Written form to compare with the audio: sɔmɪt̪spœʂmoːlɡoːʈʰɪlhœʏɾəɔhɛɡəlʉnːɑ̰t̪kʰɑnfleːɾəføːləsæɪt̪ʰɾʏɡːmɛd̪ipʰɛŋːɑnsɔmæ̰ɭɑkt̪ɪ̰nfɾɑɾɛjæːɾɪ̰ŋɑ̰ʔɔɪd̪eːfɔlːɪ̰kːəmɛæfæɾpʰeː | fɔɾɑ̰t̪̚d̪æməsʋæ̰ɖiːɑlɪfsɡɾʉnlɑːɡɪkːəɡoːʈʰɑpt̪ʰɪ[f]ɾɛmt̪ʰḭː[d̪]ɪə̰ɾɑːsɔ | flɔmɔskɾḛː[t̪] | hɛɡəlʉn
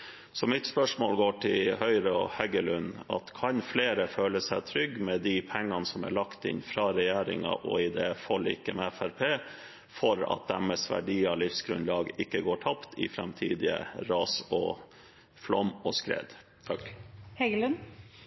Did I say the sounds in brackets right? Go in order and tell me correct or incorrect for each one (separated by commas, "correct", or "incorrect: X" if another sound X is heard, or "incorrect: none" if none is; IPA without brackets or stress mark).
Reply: correct, correct, incorrect: d̪